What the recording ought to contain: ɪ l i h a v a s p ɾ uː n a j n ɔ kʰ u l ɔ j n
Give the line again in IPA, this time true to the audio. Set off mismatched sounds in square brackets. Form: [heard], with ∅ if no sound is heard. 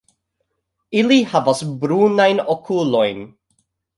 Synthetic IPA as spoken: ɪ l i h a v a s [b] ɾ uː n a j n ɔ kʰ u l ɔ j n